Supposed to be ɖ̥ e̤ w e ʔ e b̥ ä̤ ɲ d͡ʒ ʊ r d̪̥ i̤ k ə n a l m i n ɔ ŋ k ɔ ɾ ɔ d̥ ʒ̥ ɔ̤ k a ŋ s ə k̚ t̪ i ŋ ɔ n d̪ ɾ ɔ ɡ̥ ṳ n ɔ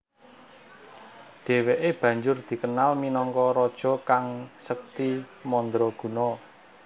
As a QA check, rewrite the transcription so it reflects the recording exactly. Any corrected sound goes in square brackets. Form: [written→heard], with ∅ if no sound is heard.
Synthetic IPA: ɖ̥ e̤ w e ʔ e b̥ ä̤ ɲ d͡ʒ ʊ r d̪̥ i̤ k ə n a l m i n ɔ ŋ k ɔ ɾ ɔ d̥ ʒ̥ ɔ̤ k a ŋ s ə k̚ t̪ i [ŋ→m] ɔ n d̪ ɾ ɔ ɡ̥ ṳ n ɔ